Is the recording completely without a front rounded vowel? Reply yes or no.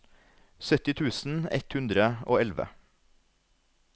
no